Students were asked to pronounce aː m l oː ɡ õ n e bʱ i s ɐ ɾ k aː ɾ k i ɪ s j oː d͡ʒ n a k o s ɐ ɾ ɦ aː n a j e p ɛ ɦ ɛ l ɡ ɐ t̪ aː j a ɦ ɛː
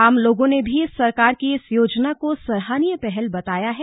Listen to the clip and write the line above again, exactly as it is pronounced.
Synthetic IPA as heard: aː m l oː ɡ õ n e bʱ i s ɐ ɾ k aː ɾ k i ɪ s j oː d͡ʒ n a k o s ɐ ɾ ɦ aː n i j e p ɛ ɦ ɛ l b ɐ t̪ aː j a ɦ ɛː